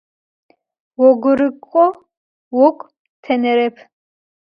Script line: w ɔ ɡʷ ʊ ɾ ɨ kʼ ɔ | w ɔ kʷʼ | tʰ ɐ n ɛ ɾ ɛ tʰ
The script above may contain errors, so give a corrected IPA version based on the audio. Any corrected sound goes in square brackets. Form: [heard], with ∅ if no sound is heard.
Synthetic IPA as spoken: w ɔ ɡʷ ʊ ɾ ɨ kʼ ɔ | w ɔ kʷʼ | tʰ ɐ n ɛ ɾ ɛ [pʰ]